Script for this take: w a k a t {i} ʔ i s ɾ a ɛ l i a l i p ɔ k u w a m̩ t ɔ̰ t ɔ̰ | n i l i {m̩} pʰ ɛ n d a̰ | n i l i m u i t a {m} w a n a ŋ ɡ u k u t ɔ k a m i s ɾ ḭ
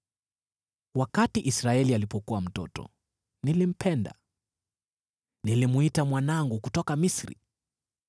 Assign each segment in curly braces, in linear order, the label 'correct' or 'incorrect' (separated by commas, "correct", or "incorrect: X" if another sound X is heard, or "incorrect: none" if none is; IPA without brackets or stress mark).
correct, correct, correct